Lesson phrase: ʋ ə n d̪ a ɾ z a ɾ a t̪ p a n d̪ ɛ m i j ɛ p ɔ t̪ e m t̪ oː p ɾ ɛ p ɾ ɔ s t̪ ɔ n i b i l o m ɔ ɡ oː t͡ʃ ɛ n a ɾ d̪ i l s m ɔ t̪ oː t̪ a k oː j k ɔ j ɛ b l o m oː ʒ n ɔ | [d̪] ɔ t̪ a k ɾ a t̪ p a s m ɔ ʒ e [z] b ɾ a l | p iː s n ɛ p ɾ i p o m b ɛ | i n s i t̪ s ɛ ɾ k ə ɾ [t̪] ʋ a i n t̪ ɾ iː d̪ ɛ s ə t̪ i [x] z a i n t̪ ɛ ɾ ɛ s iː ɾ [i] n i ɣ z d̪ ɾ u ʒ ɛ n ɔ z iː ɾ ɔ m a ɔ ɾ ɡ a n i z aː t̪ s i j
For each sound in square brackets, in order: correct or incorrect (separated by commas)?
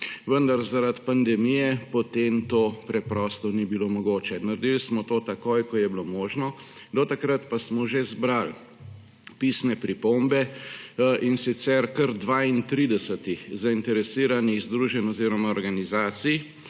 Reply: correct, correct, incorrect, correct, incorrect